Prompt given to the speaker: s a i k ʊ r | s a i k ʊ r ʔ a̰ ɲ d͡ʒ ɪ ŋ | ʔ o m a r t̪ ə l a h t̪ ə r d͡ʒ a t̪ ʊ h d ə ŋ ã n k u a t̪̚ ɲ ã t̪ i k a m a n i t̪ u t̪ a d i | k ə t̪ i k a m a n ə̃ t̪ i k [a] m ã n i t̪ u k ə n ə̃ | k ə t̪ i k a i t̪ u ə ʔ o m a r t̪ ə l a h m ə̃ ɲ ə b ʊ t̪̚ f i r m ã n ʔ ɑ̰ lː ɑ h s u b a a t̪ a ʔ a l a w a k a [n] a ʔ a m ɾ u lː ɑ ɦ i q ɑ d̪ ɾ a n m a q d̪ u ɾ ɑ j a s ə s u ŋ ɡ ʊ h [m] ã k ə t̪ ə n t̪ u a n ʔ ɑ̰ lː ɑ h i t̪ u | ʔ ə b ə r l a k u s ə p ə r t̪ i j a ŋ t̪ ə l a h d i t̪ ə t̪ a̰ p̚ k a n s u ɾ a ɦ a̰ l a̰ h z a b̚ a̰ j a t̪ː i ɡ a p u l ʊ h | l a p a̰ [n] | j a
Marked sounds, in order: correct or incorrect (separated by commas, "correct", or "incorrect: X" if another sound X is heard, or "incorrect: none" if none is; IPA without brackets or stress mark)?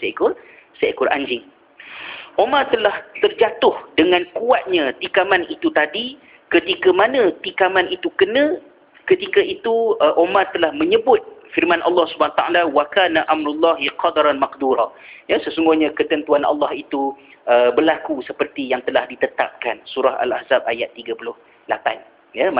correct, correct, incorrect: ɲ, correct